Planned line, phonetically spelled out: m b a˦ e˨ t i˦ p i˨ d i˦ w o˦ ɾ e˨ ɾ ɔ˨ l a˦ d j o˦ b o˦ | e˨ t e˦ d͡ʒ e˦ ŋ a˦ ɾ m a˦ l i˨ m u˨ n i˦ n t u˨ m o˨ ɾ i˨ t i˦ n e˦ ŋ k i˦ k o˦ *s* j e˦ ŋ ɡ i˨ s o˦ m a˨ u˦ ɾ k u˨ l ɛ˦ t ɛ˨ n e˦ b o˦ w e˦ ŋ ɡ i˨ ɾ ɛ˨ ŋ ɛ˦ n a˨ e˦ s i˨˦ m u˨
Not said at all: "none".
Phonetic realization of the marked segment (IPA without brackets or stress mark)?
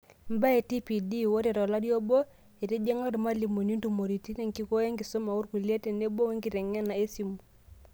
none